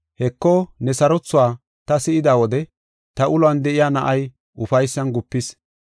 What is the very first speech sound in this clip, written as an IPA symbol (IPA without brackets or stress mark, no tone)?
h